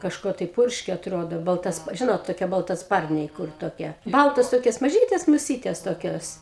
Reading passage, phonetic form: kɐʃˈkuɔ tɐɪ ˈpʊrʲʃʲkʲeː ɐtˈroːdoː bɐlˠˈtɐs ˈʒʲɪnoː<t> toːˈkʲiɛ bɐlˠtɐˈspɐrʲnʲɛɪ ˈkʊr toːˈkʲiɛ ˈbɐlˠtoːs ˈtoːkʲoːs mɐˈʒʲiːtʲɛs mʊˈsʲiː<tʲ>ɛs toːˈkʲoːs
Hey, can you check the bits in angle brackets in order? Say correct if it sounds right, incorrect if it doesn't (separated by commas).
correct, correct